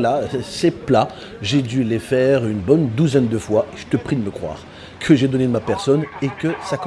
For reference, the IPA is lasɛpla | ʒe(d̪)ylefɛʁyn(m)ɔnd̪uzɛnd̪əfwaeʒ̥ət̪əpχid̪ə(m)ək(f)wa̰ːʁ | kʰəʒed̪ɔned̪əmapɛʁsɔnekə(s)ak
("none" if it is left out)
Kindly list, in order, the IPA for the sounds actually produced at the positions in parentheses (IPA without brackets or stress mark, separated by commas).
d̪, b, m, χ, s